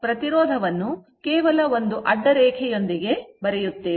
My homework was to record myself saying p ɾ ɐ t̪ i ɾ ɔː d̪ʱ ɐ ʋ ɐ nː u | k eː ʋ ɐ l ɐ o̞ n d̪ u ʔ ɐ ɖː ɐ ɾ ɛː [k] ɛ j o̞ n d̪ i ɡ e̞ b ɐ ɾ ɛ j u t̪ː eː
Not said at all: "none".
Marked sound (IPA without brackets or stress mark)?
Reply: kʰ